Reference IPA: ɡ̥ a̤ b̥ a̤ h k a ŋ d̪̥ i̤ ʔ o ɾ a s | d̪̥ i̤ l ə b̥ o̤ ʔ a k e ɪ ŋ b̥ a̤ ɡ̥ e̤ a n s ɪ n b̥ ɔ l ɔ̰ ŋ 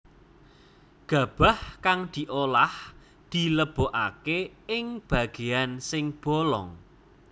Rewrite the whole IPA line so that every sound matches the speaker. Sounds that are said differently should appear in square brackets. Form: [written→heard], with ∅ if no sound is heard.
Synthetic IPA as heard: ɡ̥ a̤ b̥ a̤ h k a ŋ d̪̥ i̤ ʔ o [ɾ→l] a [s→h] | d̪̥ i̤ l ə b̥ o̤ ʔ a k e ɪ ŋ b̥ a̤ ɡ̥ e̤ a n s ɪ [n→ŋ] b̥ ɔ l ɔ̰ ŋ